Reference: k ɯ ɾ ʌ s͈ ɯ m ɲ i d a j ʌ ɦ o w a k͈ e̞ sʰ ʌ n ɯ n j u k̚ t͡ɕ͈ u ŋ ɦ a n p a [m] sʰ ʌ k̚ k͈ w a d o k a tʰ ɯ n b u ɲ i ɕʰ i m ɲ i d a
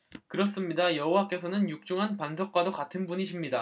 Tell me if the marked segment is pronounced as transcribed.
no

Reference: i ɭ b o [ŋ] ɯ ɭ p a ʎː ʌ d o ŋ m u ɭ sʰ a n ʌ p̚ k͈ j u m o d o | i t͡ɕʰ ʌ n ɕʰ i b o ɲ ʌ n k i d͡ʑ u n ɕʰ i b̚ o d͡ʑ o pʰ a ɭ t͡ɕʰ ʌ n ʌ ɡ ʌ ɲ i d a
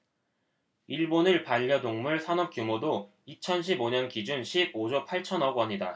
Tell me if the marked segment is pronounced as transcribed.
no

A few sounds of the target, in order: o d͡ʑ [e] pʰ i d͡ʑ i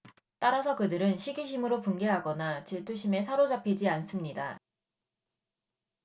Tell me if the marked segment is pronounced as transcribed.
no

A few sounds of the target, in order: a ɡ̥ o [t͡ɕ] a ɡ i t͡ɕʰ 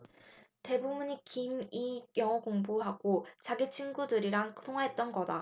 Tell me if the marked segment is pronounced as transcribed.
yes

